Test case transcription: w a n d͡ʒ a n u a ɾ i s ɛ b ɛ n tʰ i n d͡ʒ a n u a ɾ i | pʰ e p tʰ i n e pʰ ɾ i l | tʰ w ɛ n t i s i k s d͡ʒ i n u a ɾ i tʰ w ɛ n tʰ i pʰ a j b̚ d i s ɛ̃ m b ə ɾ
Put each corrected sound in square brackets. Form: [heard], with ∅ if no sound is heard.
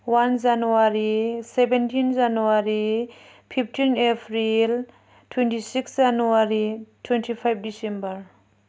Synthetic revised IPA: w a n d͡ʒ a n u a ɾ i s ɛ b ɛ n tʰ i n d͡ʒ a n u a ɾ i | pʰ [i] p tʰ i n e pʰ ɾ i l | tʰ w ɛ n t i s i k s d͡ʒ [a] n u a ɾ i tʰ w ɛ n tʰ i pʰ a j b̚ d i s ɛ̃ m b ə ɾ